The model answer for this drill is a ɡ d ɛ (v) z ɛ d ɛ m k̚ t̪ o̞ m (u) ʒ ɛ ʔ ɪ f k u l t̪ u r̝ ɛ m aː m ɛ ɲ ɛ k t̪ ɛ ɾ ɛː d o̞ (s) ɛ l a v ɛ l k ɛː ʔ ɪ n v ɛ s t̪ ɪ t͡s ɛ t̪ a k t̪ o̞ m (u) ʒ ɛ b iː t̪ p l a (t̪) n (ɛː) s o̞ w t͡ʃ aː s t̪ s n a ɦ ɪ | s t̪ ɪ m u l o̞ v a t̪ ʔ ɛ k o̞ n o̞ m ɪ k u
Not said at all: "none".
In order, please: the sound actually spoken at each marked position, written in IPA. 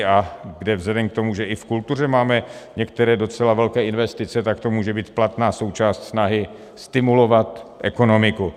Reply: v, u, t͡s, uː, t̪, aː

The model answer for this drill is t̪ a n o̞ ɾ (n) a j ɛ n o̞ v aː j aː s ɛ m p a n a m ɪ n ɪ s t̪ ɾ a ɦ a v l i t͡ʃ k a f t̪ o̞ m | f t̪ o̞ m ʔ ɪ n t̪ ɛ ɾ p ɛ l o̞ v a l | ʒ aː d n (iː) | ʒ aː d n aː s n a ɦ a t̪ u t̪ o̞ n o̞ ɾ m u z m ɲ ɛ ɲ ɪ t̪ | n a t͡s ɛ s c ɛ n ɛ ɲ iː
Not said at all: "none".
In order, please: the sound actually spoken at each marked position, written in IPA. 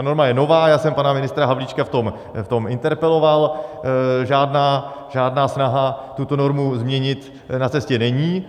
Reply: m, aː

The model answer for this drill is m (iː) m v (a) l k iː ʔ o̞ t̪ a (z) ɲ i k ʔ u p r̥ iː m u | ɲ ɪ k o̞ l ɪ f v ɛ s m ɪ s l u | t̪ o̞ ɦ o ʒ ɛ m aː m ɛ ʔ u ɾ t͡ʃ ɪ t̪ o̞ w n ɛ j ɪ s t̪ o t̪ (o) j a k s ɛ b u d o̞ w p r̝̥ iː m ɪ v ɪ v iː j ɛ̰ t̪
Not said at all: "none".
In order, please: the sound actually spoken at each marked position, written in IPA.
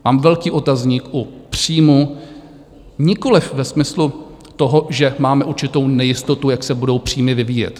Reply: aː, ɛ, z, u

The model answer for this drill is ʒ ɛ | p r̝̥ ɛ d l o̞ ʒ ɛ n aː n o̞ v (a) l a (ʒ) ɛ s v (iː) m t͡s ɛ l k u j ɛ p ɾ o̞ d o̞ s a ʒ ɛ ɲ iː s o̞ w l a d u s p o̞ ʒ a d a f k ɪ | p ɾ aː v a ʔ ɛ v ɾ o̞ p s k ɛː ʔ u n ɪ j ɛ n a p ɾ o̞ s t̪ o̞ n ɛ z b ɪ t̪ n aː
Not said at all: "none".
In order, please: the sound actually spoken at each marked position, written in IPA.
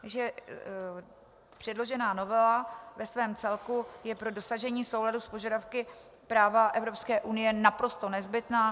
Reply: ɛ, v, ɛː

